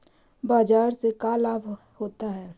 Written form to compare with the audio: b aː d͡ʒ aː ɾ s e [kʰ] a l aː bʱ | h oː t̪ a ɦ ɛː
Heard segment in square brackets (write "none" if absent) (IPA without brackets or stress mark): k